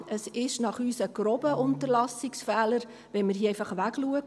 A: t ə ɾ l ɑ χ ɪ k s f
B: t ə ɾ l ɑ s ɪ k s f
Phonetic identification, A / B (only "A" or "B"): B